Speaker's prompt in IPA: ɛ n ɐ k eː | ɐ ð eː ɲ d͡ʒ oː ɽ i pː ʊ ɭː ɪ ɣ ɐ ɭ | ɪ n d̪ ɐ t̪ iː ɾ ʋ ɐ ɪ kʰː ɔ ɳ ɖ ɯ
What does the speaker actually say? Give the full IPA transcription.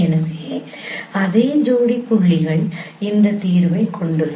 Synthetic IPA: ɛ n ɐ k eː | ɐ ð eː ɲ d͡ʒ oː ɽ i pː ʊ ɭː ɪ ɣ ɐ ɭ | ɪ n d̪ ɐ t̪ iː ɾ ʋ ɐ ɪ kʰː ɔ ɳ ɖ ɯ